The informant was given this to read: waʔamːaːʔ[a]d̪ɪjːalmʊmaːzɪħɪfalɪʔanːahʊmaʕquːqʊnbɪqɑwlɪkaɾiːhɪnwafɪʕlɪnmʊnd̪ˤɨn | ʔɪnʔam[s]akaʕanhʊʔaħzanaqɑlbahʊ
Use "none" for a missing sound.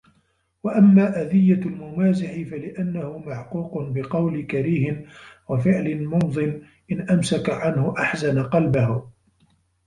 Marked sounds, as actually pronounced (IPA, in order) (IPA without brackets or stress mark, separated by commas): a, s